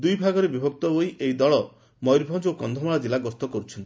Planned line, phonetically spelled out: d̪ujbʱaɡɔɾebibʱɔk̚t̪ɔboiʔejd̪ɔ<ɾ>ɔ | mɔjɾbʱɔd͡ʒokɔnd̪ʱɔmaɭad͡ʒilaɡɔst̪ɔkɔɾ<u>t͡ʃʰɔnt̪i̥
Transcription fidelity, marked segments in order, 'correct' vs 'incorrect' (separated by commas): incorrect, correct